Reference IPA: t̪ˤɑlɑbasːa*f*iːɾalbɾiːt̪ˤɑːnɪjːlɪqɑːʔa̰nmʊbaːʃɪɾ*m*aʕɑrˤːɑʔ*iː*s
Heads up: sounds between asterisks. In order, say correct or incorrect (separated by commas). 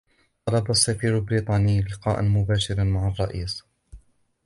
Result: correct, correct, correct